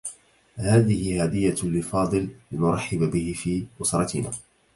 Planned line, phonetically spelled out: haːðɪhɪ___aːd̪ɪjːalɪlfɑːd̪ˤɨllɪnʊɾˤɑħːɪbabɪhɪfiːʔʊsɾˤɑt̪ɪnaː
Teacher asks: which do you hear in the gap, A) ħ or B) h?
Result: B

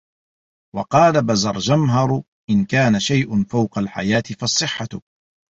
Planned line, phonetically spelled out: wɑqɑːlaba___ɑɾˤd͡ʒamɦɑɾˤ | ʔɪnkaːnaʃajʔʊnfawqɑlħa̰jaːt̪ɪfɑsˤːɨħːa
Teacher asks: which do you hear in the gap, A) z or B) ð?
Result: A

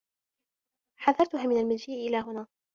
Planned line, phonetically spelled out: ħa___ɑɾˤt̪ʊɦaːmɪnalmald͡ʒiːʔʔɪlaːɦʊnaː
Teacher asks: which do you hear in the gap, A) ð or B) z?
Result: A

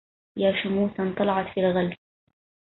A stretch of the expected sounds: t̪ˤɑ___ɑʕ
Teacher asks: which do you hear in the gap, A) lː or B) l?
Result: B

